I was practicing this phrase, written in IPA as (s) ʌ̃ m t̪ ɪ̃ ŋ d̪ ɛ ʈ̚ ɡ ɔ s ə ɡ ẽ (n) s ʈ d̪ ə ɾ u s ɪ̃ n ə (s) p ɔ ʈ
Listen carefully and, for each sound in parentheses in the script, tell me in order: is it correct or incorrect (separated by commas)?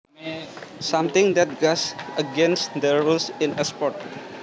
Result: correct, correct, correct